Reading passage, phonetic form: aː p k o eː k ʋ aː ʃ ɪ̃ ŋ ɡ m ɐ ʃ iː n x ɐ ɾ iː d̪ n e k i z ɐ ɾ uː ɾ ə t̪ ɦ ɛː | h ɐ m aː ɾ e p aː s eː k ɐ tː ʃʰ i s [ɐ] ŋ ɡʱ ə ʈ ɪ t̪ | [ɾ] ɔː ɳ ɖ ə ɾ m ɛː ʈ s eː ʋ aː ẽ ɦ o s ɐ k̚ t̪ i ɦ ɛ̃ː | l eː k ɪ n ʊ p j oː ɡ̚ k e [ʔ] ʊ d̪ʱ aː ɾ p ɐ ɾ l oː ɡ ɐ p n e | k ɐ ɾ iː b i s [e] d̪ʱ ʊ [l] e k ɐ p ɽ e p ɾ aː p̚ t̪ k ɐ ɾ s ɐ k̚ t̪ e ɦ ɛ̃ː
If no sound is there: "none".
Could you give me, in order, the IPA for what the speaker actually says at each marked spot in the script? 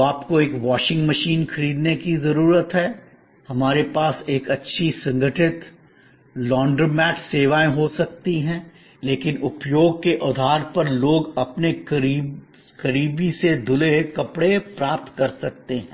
ɐ̃, l, ʔ, e, l

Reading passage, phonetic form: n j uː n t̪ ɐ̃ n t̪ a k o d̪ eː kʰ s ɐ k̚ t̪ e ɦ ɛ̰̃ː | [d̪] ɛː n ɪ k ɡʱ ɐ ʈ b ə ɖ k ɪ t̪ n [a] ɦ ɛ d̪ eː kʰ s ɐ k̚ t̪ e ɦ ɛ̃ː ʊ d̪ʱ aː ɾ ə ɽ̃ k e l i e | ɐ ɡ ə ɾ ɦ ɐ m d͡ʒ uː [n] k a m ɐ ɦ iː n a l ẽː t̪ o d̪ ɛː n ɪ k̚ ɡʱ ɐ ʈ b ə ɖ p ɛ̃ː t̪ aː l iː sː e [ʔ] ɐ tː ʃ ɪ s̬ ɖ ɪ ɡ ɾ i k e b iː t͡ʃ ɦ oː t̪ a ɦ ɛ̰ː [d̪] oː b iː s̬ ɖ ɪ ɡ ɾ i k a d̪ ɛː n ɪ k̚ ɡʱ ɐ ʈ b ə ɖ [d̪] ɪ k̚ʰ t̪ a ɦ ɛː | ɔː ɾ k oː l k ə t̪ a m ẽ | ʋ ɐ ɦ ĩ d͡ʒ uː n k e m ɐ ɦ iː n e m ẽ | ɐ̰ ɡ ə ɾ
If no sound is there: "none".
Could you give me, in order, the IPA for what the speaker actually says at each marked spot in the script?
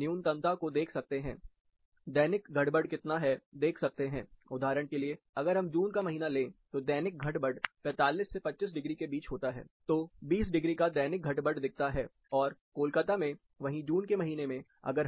d̪, a, n, p, t̪, d̪

